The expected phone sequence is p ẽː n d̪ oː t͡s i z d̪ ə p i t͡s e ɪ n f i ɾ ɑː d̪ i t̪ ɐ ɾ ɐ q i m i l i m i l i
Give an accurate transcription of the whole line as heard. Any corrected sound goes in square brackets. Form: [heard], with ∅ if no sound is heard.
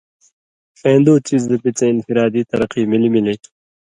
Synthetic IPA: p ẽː n d̪ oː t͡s i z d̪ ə p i t͡s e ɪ n f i ɾ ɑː d̪ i t̪ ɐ ɾ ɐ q i m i l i m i l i